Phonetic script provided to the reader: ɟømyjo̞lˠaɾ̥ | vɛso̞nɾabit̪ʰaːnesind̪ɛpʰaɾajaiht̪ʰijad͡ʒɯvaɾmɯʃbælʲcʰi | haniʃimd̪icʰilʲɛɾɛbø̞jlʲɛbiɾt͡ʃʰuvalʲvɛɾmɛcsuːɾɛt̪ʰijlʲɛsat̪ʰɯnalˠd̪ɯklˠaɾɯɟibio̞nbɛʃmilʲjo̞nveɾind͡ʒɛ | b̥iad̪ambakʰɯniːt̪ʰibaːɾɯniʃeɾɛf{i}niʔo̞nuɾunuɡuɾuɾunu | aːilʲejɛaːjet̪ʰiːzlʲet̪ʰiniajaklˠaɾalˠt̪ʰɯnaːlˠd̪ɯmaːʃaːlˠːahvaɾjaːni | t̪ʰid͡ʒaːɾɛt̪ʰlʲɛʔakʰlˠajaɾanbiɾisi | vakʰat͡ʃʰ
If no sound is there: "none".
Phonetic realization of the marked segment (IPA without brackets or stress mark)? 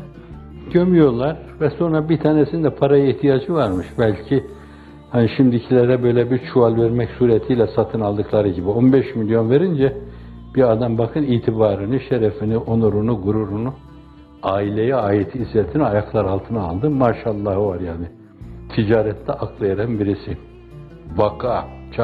i